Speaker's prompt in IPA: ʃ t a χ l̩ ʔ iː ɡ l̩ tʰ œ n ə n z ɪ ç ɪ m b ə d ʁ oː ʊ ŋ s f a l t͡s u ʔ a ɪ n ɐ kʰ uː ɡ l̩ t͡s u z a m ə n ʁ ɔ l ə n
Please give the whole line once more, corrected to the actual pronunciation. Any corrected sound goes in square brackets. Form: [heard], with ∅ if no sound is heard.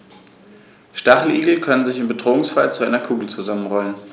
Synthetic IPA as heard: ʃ t a χ l̩ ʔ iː ɡ l̩ [kʰ] œ n ə n z ɪ ç ɪ m b ə d ʁ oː ʊ ŋ s f a l t͡s u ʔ a ɪ n ɐ kʰ uː ɡ l̩ t͡s u z a m ə n ʁ ɔ l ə n